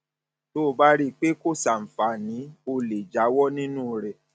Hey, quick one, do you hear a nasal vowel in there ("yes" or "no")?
yes